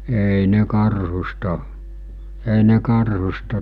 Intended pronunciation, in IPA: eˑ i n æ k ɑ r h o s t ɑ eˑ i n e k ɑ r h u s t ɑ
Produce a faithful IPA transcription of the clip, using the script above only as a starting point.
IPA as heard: eˑ i n e k ɑ r h u s t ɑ eˑ i n e k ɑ r h u s t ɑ